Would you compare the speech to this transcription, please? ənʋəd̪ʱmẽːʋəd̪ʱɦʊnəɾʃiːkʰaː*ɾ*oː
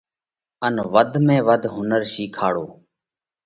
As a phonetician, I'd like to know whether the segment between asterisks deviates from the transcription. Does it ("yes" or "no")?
yes